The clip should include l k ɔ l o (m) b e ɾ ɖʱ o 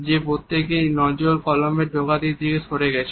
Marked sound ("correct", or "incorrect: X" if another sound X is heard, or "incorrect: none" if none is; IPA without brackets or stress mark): correct